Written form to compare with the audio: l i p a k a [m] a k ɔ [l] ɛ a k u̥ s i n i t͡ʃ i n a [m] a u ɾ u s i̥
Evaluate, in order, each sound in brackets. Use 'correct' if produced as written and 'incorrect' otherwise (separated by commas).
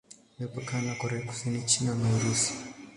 incorrect, incorrect, incorrect